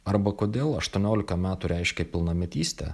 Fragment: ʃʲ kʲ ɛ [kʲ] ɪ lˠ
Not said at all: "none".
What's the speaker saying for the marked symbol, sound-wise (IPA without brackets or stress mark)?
pʲ